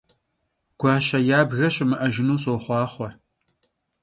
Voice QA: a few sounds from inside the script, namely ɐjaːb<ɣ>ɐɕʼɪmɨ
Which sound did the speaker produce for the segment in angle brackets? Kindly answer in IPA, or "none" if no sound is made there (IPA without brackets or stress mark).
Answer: ɣ